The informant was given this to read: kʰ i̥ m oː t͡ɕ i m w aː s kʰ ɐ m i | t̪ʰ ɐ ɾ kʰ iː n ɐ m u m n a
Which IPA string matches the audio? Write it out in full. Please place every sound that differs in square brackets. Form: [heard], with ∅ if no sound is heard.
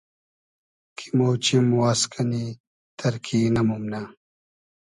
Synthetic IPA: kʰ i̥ m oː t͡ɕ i m w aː s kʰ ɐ [n] i | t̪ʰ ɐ ɾ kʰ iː n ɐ m u m n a